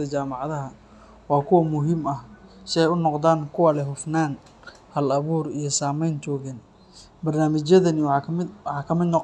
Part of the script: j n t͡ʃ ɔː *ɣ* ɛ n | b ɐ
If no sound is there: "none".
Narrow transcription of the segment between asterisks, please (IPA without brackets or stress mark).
ɣ